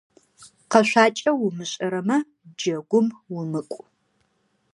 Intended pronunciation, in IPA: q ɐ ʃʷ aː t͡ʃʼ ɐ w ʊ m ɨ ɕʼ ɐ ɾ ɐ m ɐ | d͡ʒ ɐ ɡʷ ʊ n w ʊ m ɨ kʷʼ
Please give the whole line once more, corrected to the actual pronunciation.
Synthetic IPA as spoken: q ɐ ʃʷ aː t͡ʃʼ ɐ w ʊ m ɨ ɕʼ ɐ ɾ ɐ m ɐ | d͡ʒ ɐ ɡʷ ʊ m w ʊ m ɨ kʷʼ